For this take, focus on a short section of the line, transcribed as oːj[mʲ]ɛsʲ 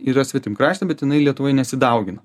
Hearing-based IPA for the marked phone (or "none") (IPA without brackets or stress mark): nʲ